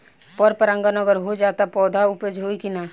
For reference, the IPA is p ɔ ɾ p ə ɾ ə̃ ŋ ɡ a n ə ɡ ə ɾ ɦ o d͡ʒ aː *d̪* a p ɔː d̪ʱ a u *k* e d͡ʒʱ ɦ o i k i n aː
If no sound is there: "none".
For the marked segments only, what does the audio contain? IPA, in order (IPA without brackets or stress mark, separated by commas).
t̪, p